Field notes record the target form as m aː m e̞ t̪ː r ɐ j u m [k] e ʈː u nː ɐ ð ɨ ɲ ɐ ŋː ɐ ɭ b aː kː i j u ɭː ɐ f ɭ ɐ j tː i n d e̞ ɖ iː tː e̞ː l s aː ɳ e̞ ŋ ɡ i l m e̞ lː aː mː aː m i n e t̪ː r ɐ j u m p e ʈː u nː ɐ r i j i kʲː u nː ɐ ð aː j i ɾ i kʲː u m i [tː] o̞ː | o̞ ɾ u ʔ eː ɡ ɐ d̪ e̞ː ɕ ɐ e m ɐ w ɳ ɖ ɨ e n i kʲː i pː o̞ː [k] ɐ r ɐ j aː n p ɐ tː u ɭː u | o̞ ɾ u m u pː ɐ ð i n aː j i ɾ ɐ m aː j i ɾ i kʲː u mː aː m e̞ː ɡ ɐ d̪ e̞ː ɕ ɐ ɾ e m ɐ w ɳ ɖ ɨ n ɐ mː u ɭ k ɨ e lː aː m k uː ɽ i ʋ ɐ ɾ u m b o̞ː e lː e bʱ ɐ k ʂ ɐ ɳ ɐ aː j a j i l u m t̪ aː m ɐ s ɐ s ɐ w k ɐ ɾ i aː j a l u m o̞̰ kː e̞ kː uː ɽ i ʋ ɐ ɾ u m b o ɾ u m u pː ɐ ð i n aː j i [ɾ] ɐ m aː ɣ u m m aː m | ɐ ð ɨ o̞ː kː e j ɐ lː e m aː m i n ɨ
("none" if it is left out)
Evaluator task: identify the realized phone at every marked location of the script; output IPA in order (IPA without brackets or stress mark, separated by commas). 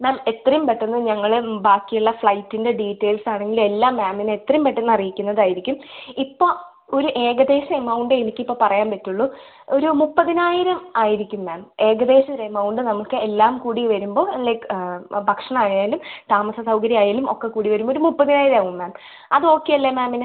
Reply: p, pː, p, ɾ